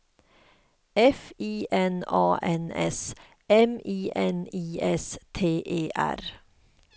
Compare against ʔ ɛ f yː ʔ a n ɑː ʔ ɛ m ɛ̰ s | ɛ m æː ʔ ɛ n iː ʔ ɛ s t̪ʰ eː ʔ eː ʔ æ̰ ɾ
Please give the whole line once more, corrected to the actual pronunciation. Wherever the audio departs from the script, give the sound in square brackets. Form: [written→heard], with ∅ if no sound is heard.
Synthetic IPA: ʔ ɛ f [yː→iː] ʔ [a→ɛ] n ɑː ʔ ɛ [m→n] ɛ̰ s | ɛ m [æː→iː] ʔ ɛ n iː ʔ ɛ s t̪ʰ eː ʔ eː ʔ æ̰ ɾ